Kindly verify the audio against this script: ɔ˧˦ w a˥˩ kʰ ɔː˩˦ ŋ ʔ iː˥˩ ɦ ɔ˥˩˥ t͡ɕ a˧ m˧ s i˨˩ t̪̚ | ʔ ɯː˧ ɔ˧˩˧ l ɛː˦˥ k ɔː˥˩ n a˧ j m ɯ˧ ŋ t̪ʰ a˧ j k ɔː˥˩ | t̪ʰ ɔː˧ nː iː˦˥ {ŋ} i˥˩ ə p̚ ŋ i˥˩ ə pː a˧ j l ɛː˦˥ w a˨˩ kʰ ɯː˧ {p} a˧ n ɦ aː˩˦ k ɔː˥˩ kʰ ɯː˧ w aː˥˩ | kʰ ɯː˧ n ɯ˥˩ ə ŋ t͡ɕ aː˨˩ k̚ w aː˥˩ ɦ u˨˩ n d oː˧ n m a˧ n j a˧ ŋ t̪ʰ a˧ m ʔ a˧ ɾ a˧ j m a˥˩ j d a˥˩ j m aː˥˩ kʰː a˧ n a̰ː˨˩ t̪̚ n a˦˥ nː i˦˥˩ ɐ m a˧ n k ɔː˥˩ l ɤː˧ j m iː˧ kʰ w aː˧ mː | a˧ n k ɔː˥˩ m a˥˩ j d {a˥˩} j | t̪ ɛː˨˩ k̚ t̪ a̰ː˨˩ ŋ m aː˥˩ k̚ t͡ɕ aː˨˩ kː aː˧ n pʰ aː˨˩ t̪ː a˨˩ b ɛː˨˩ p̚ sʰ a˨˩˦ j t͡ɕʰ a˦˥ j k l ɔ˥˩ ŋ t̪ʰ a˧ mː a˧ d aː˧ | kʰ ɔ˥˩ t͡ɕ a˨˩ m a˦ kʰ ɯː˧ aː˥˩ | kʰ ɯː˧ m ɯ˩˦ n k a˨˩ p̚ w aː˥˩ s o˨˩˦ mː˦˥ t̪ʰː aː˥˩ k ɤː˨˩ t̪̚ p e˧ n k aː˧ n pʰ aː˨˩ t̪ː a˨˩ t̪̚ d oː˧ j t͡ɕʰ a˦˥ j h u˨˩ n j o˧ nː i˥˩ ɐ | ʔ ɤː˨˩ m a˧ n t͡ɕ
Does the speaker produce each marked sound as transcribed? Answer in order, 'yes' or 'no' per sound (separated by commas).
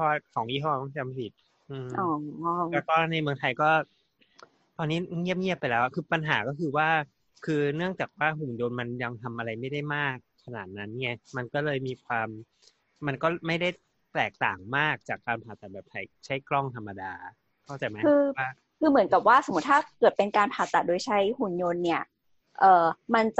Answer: yes, yes, yes